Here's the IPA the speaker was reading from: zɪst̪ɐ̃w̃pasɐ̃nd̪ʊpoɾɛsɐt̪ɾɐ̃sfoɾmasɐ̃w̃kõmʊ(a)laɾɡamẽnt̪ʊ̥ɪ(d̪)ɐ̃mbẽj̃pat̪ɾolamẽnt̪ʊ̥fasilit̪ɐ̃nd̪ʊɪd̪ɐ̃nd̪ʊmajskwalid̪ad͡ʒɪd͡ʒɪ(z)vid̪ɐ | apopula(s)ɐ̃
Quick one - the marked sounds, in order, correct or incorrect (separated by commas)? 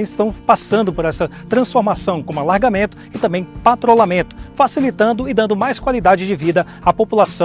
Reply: correct, incorrect, incorrect, correct